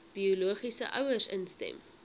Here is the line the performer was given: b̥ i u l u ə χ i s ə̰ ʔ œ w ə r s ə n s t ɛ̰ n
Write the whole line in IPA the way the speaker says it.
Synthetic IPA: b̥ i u l u ə χ i s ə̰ ʔ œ w ə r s ə n s t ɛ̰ m

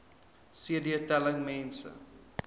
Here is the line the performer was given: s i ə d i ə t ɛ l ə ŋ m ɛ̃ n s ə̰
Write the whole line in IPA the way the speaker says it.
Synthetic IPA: s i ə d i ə t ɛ l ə ŋ m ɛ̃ n s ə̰

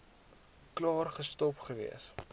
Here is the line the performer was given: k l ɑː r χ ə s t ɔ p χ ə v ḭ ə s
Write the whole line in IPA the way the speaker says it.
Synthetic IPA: k l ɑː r χ ə s t ɔ p χ ə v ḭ ə s

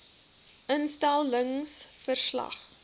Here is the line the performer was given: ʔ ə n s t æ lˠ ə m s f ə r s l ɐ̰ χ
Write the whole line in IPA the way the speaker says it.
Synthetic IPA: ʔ ə n s t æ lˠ ə ŋ s f ə r s l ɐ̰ χ

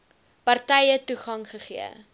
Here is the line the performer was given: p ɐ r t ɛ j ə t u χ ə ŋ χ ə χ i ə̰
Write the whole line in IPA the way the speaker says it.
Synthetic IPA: p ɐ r t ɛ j ə t u χ ɐ ŋ χ ə χ i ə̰

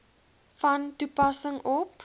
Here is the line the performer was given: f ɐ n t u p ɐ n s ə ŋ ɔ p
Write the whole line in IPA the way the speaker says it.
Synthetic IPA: f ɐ n t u p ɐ s ə ŋ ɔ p

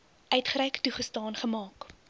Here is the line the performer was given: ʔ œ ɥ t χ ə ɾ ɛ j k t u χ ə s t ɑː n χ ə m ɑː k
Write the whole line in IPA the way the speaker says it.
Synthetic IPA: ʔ œ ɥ t χ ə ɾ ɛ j k t u χ ə s t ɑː n χ ə m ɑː k

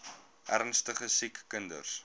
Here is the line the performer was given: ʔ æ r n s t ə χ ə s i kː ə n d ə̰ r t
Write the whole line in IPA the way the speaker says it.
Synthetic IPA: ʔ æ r n s t ə χ ə s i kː ə n d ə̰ r s

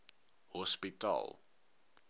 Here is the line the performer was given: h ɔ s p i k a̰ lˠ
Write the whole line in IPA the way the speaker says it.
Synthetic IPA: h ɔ s p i t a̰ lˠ

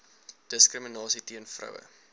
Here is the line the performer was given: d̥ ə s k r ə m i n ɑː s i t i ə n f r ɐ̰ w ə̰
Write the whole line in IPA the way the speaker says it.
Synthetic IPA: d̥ ə s k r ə m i n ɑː s i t i ə n f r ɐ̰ w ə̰

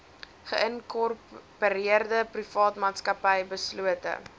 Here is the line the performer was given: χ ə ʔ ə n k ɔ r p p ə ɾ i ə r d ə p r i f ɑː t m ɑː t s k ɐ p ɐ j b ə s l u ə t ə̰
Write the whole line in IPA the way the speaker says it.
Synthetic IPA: χ ə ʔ ə n k ɔ r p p ə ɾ i ə r d ə p r i f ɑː t m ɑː t s k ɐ p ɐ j b ə s l u ə t ə̰

